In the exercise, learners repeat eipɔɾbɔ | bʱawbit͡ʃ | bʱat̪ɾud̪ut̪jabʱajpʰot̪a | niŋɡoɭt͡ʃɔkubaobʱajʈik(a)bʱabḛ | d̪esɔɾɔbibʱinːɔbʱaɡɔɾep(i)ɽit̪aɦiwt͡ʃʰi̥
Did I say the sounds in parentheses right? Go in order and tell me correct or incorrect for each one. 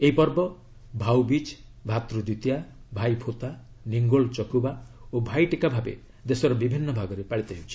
correct, incorrect: a

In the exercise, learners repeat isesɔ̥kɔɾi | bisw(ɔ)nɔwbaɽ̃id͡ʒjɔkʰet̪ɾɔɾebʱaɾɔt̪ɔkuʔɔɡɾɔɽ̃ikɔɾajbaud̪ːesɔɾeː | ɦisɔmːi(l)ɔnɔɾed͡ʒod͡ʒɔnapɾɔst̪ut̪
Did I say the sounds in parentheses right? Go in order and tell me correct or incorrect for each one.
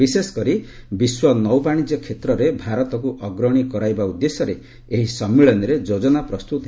correct, incorrect: ɭ

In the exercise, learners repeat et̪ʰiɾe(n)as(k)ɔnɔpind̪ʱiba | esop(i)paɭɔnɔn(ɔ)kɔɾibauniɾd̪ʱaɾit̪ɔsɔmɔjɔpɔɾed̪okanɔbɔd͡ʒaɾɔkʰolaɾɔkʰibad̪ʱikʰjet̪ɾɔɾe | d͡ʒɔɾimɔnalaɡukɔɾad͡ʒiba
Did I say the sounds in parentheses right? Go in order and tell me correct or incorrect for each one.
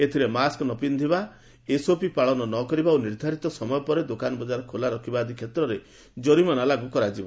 incorrect: m, correct, correct, correct

